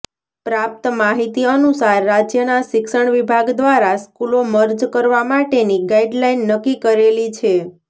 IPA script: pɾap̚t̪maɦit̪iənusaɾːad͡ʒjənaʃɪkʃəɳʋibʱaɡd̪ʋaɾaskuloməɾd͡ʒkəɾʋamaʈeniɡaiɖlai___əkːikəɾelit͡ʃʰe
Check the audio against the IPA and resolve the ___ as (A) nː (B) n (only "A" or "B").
A